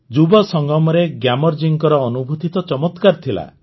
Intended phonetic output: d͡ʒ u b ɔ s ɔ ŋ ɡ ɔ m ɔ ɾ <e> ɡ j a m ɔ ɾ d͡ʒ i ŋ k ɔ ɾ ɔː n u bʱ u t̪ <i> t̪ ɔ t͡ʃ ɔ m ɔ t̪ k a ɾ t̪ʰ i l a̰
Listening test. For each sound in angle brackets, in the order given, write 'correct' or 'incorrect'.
correct, correct

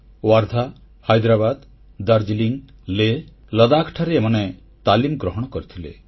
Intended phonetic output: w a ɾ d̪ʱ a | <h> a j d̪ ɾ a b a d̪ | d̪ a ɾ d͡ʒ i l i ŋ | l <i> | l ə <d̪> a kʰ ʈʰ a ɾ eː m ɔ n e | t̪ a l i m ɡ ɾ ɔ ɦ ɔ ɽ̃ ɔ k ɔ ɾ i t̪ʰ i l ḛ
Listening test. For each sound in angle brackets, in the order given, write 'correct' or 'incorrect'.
correct, incorrect: e, correct

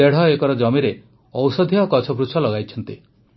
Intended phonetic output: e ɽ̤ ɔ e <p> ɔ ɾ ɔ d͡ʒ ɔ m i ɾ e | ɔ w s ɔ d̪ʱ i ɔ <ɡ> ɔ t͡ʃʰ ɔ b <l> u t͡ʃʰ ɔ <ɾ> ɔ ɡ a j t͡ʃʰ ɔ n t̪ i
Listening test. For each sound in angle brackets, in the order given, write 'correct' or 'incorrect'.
incorrect: k, incorrect: k, incorrect: ɾ, incorrect: l

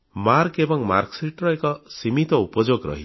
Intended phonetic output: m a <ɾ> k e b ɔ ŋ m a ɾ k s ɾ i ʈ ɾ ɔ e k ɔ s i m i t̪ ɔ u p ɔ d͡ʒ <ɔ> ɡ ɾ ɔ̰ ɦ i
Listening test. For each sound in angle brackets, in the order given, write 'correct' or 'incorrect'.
correct, incorrect: o

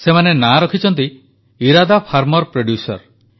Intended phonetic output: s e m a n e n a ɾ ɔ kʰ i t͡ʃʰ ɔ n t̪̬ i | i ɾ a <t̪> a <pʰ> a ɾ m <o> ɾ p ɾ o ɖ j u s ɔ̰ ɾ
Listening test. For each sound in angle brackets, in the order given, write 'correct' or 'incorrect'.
incorrect: d̪, correct, incorrect: ɔ

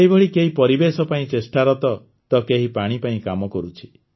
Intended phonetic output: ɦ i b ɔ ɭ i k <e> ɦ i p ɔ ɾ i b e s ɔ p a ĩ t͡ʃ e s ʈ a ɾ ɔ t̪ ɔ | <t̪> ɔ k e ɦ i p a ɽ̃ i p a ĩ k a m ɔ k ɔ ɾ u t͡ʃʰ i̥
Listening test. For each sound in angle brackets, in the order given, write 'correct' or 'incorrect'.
correct, correct

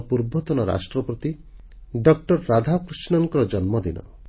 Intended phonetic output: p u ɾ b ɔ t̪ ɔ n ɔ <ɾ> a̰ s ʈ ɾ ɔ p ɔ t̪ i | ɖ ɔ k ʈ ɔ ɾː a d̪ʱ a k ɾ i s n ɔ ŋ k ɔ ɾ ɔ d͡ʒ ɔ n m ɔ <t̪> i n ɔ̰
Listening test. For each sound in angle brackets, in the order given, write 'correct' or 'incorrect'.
correct, incorrect: d̪

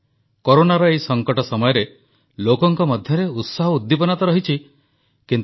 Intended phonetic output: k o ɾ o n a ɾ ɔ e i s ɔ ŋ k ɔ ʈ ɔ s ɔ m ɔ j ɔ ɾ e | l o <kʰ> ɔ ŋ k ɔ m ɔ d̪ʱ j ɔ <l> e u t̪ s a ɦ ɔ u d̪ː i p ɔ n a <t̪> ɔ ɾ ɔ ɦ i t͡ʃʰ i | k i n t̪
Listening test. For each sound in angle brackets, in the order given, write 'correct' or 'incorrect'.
incorrect: k, incorrect: ɾ, correct

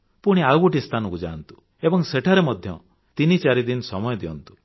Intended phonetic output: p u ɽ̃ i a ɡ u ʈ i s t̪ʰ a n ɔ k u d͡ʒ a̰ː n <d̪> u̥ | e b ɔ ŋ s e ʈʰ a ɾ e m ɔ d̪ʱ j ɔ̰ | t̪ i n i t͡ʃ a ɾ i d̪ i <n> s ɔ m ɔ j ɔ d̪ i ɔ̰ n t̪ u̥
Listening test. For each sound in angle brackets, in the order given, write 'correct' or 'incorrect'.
incorrect: t̪, correct

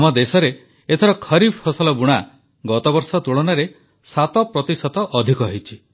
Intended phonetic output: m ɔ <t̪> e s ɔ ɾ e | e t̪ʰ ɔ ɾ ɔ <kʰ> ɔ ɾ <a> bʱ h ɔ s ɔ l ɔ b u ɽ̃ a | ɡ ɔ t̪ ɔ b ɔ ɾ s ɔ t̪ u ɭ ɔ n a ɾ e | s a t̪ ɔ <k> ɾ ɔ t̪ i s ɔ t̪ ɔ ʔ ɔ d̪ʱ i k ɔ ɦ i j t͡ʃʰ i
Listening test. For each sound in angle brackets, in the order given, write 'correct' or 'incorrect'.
incorrect: d̪, correct, incorrect: i, incorrect: p

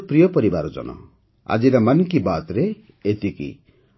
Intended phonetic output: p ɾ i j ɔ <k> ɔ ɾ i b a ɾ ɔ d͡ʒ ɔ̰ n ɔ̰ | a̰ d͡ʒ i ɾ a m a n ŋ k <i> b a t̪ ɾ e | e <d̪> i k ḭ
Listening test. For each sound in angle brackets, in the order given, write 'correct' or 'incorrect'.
incorrect: p, correct, incorrect: t̪

